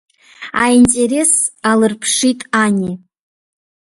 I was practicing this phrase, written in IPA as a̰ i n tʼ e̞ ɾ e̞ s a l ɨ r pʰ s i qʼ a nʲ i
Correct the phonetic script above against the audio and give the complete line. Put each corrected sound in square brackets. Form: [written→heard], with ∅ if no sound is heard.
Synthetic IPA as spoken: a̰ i n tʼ e̞ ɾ e̞ s a l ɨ r pʰ [s→ʂ] i [qʼ→tʼ] a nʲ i